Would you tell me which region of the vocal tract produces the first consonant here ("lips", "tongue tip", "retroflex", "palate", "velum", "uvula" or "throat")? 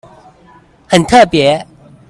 throat